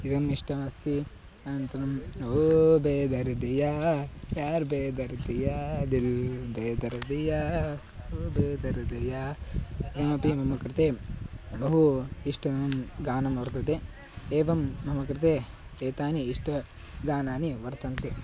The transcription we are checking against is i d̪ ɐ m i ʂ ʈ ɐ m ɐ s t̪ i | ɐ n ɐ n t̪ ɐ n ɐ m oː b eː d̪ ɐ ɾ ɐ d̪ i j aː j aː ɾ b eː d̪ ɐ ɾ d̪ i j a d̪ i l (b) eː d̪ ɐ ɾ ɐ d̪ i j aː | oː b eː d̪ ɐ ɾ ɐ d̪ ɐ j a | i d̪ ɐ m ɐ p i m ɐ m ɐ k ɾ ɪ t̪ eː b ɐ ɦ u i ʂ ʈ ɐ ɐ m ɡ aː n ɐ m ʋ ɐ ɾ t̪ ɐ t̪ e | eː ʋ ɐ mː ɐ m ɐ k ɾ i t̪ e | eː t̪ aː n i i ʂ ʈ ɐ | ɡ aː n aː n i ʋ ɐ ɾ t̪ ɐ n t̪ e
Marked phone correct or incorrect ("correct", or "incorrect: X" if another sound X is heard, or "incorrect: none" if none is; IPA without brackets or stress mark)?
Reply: correct